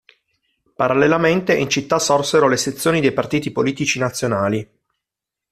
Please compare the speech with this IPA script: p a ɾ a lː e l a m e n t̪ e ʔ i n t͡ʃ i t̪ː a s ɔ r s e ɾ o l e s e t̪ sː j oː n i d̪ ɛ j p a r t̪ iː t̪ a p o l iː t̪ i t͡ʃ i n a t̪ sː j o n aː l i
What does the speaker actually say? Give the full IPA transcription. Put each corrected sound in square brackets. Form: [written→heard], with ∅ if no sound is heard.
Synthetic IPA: p a ɾ a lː e l a m e n t̪ e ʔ i n t͡ʃ i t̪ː a s ɔ r s e ɾ o l e s e t̪ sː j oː n i d̪ [ɛ→e] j p a r t̪ iː t̪ [a→i] p o l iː t̪ i t͡ʃ i n a t̪ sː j o n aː l i